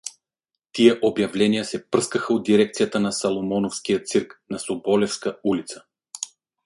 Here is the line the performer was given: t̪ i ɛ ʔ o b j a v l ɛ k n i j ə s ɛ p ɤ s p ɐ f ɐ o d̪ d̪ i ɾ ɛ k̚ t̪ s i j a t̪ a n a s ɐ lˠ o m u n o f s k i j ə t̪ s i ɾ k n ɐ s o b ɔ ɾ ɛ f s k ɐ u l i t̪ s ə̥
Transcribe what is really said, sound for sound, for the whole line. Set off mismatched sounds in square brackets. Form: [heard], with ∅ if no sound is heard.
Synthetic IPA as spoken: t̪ i ɛ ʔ o b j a v l ɛ [∅] n i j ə s ɛ p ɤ s [k] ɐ [x] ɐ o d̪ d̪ i ɾ ɛ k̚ t̪ s i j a t̪ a n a s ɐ lˠ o m [ɔ] n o f s k i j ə t̪ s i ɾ k n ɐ s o b ɔ [l] ɛ f s k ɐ u l i t̪ s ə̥